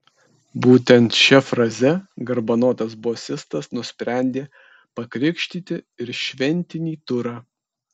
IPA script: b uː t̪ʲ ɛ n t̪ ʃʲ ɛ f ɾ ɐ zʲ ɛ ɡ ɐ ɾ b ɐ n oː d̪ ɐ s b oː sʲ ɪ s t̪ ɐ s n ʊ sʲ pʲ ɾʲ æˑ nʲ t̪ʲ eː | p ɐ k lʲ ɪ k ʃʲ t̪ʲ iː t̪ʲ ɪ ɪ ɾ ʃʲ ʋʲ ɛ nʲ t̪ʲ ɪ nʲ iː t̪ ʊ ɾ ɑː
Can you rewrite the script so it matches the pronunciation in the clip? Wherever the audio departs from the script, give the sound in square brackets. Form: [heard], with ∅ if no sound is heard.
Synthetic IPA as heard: b uː t̪ʲ ɛ n t̪ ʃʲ ɛ f ɾ ɐ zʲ ɛ ɡ ɐ ɾ b ɐ n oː [t̪] ɐ s b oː sʲ ɪ s t̪ ɐ s n ʊ sʲ pʲ ɾʲ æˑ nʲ [d̪ʲ] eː | p ɐ k [ɾʲ] ɪ k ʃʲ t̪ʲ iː t̪ʲ ɪ ɪ ɾ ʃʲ ʋʲ ɛ nʲ t̪ʲ ɪ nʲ iː t̪ ʊ ɾ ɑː